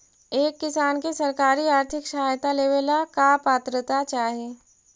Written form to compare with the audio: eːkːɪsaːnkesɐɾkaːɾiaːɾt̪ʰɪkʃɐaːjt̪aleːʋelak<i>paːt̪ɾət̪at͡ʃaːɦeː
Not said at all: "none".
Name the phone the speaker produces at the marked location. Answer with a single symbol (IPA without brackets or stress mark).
a